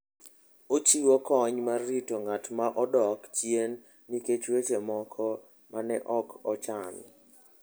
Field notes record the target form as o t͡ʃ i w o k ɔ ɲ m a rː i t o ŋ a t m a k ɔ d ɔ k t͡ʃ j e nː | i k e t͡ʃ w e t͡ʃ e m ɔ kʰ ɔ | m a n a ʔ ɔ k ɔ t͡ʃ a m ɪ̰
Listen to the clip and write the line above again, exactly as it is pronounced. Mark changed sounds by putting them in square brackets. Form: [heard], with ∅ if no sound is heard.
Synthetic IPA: o t͡ʃ i w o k ɔ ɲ m a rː i t o ŋ a t m a [ʔ] ɔ d ɔ k t͡ʃ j e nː | i k e t͡ʃ w e t͡ʃ e m ɔ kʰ ɔ | m a n [ɛ] ʔ ɔ k ɔ t͡ʃ a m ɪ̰